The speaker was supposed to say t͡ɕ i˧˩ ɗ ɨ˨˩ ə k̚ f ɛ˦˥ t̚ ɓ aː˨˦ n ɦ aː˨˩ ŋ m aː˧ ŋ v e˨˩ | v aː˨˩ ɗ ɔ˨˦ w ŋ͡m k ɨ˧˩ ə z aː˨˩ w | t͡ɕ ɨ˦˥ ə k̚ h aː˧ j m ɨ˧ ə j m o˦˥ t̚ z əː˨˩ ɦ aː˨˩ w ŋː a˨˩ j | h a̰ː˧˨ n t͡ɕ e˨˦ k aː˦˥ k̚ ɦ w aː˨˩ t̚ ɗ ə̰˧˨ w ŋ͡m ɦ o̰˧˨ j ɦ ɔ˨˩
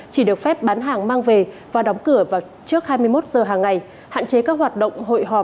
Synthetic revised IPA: t͡ɕ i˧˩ ɗ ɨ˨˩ ə k̚ f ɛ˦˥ p̚ ɓ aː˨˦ n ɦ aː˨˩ ŋ m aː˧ ŋ v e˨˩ | v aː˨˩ ɗ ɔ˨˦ w ŋ͡m k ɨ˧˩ ə v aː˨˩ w | t͡ɕ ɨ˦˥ ə k̚ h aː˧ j m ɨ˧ ə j m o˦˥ t̚ z əː˨˩ ɦ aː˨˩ ŋː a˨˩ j | h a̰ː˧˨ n t͡ɕ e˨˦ k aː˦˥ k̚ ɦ w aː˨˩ t̚ ɗ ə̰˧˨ w ŋ͡m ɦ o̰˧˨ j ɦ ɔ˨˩